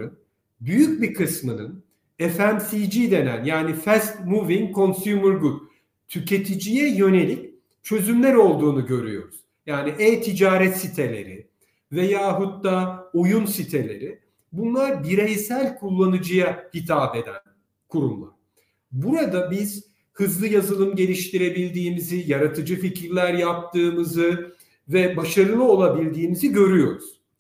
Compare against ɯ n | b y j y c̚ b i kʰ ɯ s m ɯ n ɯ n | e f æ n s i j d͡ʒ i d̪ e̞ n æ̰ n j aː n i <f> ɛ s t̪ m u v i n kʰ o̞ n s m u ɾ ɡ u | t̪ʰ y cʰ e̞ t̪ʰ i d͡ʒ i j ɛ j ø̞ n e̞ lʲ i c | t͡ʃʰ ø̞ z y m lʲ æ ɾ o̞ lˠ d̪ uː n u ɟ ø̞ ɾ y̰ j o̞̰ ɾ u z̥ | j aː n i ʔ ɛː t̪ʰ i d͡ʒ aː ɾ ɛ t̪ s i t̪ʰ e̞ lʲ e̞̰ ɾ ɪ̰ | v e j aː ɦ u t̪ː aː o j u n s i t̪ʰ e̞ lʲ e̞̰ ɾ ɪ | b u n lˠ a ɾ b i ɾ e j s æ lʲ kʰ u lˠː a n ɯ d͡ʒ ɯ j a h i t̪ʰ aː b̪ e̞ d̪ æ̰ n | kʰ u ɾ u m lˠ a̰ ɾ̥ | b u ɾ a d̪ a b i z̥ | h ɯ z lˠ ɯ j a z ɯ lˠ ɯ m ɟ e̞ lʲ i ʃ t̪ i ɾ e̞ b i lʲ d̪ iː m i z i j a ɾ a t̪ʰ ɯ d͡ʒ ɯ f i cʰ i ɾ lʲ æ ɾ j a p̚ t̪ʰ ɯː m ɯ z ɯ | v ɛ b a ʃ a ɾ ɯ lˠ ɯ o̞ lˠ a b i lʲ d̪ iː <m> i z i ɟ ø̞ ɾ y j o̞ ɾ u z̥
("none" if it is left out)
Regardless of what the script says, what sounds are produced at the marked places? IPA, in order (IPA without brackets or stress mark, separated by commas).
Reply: f, m